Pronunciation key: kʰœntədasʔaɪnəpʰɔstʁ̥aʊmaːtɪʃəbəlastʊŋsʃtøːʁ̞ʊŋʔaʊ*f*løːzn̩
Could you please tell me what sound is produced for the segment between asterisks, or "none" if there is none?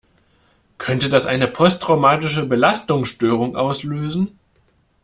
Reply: s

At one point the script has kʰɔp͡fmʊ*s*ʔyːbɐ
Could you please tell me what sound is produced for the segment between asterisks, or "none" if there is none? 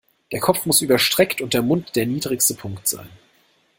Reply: s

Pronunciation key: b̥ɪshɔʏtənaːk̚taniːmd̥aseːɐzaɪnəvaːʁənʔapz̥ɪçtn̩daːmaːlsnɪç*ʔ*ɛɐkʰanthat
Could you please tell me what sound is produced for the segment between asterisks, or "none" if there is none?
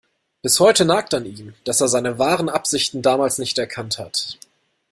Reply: t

